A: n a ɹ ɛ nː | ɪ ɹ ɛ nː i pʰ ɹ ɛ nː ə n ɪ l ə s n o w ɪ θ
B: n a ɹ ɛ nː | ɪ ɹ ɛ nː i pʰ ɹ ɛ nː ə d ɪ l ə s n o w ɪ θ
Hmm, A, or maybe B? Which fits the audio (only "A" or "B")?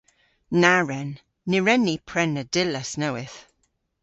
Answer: B